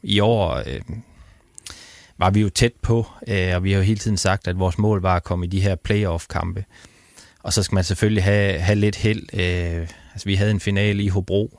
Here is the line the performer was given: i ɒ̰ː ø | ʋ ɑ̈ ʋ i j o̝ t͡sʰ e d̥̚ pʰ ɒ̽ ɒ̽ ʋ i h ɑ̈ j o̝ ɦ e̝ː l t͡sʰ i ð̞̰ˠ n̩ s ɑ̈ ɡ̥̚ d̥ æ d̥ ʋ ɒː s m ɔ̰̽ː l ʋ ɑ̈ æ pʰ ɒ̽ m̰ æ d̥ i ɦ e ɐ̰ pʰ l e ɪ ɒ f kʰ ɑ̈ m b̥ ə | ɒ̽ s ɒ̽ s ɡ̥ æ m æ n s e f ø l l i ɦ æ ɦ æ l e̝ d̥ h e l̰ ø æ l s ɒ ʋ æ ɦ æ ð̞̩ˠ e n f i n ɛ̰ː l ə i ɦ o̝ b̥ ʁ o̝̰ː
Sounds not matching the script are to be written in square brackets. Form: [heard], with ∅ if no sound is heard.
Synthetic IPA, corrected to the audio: i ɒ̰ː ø | ʋ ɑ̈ ʋ i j o̝ t͡sʰ e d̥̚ pʰ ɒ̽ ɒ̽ ʋ i h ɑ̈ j o̝ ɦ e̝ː l t͡sʰ i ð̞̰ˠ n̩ s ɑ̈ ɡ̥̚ d̥ æ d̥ ʋ ɒː s m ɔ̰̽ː l ʋ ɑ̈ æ [kʰ] ɒ̽ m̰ [i] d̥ i ɦ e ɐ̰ pʰ l e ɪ ɒ f kʰ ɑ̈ m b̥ ə | ɒ̽ s ɒ̽ s ɡ̥ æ m æ n s e f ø l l i ɦ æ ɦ æ l e̝ d̥ h e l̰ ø æ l s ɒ ʋ [i] ɦ æ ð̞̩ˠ e n f i n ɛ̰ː l ə i ɦ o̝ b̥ ʁ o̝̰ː